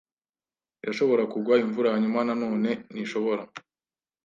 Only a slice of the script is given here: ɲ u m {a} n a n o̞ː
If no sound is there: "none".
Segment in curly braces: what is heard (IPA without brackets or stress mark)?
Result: a